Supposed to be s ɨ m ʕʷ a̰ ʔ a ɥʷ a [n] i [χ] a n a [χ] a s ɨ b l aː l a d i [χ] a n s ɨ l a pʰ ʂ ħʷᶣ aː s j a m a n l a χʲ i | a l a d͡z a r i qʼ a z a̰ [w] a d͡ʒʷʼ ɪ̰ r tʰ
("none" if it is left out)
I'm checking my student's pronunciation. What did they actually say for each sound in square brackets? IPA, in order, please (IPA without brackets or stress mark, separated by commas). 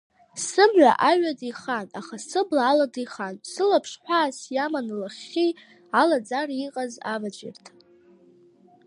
d, χ, χ, χ, v